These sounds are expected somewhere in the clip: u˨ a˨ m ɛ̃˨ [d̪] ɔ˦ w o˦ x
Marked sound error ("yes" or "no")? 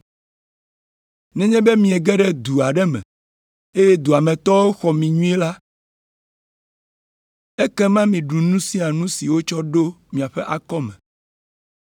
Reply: yes